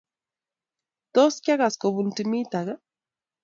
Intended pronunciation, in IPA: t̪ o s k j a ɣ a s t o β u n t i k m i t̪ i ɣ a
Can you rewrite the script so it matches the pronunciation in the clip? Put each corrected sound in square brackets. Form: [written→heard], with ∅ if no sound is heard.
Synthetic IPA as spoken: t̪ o s k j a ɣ a s [t→k] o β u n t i [k→∅] m i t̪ [i→a] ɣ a